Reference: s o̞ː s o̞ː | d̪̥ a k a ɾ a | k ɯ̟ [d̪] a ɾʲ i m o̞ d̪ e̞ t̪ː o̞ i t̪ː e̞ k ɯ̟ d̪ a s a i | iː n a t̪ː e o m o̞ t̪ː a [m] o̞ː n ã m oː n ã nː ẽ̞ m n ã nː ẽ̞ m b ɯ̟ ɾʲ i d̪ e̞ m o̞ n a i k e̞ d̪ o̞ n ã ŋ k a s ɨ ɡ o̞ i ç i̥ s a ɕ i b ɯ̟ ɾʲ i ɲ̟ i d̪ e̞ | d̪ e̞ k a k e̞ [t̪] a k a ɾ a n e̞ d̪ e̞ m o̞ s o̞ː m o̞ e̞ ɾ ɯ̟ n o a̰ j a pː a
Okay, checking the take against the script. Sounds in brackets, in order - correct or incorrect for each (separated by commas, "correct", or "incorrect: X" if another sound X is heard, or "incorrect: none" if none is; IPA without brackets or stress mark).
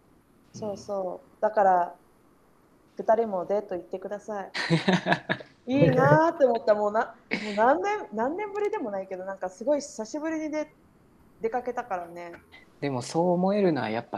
incorrect: t̪, correct, correct